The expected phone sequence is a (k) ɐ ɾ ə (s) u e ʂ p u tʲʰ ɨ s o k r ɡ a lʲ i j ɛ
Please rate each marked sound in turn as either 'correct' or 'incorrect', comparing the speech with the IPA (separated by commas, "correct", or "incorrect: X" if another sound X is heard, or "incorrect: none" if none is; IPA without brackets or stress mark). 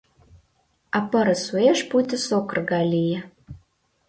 incorrect: p, correct